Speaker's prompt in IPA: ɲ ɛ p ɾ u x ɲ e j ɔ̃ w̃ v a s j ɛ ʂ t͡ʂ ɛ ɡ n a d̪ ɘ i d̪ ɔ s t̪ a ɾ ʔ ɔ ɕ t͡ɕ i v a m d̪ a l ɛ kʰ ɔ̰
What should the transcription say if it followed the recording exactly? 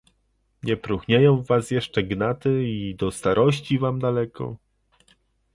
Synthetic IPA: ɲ ɛ p ɾ u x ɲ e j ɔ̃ w̃ v a s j ɛ ʂ t͡ʂ ɛ ɡ n a t̪ ɘ i d̪ ɔ s t̪ a ɾ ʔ ɔ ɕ t͡ɕ i v a m d̪ a l ɛ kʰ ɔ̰

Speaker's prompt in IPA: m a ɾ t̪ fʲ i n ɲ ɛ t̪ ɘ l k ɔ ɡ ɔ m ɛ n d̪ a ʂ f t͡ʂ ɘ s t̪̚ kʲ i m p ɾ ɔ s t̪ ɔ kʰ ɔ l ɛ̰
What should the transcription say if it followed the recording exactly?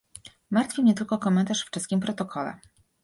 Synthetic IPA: m a ɾ t̪ fʲ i m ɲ ɛ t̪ ɘ l k ɔ k ɔ m ɛ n t̪ a ʂ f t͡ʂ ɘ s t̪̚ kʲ i m p ɾ ɔ t̪ ɔ kʰ ɔ l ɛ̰

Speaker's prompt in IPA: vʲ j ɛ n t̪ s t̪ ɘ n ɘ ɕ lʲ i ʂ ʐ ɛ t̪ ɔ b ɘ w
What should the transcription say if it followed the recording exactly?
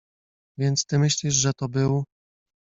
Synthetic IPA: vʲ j ɛ n t̪ s t̪ ɘ m ɘ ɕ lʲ i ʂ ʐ ɛ t̪ ɔ b ɘ w

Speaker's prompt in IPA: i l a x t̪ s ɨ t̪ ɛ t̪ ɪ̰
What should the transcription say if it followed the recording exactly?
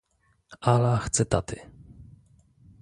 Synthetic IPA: a l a x t̪ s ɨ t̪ a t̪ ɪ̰

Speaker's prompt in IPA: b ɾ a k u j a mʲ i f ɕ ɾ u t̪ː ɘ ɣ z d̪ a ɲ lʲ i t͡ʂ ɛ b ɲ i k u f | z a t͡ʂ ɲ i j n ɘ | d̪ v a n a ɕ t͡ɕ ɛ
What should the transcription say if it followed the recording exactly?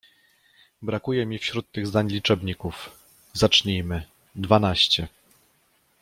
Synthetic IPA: b ɾ a k u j ɛ mʲ i f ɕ ɾ u t̪ː ɘ ɣ z d̪ a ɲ lʲ i t͡ʂ ɛ b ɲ i k u f | z a t͡ʂ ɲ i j m ɘ | d̪ v a n a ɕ t͡ɕ ɛ

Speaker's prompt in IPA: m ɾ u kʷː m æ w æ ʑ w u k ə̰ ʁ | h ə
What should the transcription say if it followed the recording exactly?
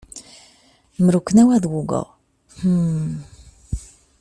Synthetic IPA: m ɾ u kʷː n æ w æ ð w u ɡ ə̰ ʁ | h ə

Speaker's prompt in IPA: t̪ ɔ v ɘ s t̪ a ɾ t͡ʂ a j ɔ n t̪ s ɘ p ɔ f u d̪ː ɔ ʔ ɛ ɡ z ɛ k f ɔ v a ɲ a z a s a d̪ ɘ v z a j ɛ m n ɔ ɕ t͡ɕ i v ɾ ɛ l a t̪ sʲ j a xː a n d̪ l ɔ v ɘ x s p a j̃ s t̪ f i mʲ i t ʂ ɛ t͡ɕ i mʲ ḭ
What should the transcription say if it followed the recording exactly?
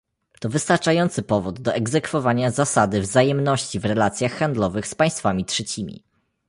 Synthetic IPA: t̪ ɔ v ɘ s t̪ a ɾ t͡ʂ a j ɔ n t̪ s ɘ p ɔ v u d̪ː ɔ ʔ ɛ ɡ z ɛ k f ɔ v a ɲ a z a s a d̪ ɘ v z a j ɛ m n ɔ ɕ t͡ɕ i v ɾ ɛ l a t̪ sʲ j a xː a n d̪ l ɔ v ɘ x s p a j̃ s t̪ f a mʲ i t ʂ ɛ t͡ɕ i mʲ ḭ

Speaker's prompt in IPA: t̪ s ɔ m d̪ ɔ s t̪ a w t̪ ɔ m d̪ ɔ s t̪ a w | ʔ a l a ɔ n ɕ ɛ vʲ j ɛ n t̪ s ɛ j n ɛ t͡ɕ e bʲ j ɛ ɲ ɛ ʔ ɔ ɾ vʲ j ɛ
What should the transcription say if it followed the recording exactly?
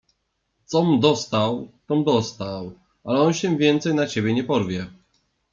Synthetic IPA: t̪ s ɔ m d̪ ɔ s t̪ a w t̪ ɔ m d̪ ɔ s t̪ a w | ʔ a l ɛ ɔ n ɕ ɛ vʲ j ɛ n t̪ s ɛ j n a t͡ɕ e bʲ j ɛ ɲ ɛ p ɔ ɾ vʲ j ɛ

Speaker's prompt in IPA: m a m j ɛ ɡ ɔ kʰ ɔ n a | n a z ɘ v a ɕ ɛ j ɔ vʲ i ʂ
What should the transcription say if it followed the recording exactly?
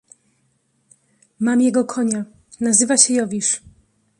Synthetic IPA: m a m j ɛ ɡ ɔ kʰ ɔ ɲ a | n a z ɘ v a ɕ ɛ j ɔ vʲ i ʂ

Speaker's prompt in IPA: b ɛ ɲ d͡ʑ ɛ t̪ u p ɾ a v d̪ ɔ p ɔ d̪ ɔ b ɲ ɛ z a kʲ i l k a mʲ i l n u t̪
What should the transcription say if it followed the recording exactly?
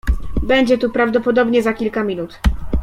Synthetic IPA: b ɛ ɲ d͡ʑ ɛ t̪ u p ɾ a v d̪ ɔ p ɔ d̪ ɔ b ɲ ɛ z a kʲ i l k a mʲ i n u t̪

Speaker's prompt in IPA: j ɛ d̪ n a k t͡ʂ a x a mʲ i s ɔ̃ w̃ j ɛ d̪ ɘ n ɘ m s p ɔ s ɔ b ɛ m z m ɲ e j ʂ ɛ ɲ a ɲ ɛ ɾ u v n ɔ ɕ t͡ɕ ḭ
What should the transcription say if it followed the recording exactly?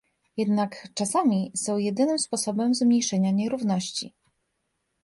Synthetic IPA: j ɛ d̪ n a k t͡ʂ a s a mʲ i s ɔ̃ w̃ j ɛ d̪ ɘ n ɘ m s p ɔ s ɔ b ɛ m z m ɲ e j ʂ ɛ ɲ a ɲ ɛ ɾ u v n ɔ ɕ t͡ɕ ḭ

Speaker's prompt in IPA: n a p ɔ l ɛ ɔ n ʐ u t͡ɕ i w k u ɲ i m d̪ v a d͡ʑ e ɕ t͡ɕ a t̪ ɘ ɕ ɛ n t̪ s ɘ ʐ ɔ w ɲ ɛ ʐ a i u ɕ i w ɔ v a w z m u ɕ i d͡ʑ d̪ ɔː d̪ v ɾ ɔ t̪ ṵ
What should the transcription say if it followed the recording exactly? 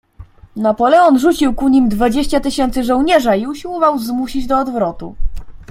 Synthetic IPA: n a p ɔ l ɛ ɔ n ʐ u t͡ɕ i w k u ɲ i m d̪ v a d͡ʑ e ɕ t͡ɕ a t̪ ɘ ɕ ɛ n t̪ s ɘ ʐ ɔ w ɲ ɛ ʐ a i u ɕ i w ɔ v a w z m u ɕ i d͡ʑ d̪ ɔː d̪ v ɾ ɔ t̪ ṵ

